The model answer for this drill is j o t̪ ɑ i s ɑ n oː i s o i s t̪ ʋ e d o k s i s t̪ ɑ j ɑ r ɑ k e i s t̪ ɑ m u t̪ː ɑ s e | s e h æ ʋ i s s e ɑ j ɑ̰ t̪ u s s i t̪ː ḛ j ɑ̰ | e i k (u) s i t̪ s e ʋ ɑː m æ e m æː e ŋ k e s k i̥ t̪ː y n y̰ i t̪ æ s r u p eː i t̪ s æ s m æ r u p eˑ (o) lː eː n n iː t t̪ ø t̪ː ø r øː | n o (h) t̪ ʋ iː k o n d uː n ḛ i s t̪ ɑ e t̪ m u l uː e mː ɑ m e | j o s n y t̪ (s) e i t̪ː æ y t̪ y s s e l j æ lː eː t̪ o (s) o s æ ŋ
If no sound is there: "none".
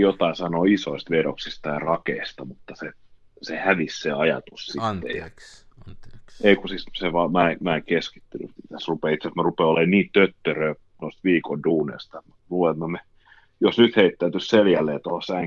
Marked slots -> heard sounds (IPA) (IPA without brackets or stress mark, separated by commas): u, o, s, h, h